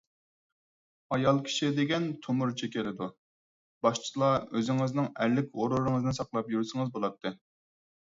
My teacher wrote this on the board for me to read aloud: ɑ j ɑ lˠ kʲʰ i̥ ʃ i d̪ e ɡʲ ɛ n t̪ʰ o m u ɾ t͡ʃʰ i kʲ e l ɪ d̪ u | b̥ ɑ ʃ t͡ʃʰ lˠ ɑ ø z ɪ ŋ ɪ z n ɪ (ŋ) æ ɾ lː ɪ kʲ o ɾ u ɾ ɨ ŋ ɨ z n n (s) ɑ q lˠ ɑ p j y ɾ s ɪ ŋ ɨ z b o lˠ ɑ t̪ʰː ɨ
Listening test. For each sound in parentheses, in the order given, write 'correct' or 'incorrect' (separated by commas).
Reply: correct, correct